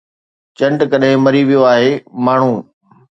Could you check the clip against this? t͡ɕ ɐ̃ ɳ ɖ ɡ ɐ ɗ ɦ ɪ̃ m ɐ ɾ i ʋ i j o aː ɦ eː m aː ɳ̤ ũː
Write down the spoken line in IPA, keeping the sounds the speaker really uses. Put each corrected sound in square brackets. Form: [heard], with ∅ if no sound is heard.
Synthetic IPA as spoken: t͡ɕ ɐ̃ ɳ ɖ [k] ɐ ɗ ɦ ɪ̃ m ɐ ɾ i ʋ i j o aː ɦ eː m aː ɳ̤ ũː